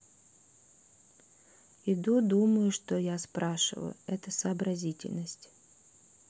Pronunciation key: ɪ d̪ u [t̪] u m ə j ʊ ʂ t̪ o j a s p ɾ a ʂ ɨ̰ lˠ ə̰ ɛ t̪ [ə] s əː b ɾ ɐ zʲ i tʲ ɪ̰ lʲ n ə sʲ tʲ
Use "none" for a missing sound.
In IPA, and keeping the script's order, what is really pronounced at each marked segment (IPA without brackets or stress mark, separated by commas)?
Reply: d̪, ə